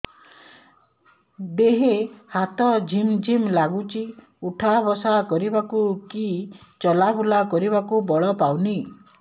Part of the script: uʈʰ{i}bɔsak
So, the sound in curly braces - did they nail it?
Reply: no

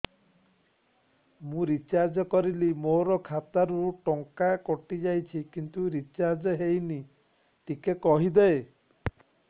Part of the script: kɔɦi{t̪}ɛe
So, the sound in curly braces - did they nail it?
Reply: no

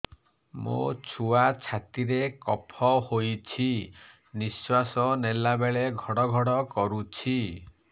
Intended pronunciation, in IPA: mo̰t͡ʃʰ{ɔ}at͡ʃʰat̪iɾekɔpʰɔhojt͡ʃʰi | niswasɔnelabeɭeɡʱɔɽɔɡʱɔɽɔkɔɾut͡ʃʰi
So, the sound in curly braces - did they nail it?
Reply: no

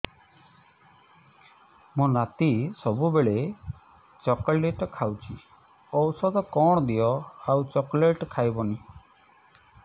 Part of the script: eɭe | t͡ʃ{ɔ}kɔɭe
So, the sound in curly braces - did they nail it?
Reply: yes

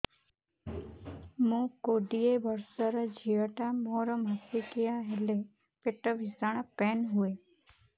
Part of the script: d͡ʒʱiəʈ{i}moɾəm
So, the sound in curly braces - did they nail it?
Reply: no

